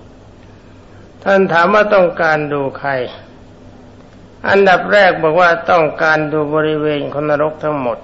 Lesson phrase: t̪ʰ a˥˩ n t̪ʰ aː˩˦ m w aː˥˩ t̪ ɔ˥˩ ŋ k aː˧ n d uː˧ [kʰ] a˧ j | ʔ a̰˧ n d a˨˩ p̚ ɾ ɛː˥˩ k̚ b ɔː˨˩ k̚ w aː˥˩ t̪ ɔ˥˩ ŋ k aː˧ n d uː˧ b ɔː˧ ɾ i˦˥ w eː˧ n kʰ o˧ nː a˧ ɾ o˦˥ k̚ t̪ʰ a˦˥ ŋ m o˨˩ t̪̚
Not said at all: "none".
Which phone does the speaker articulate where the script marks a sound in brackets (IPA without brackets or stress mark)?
kʰ